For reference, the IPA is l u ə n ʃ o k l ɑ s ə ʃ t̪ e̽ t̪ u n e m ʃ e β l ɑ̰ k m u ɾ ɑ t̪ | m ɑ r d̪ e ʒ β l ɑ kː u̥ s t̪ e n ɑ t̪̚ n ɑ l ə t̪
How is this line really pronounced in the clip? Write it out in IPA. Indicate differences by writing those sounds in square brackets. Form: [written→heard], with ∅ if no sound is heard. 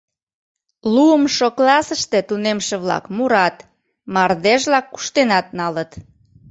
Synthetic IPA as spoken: l u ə [n→m] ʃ o k l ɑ s ə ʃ t̪ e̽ t̪ u n e m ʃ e β l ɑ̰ k m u ɾ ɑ t̪ | m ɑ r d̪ e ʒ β l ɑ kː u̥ [s→ʃ] t̪ e n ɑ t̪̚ n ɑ l ə t̪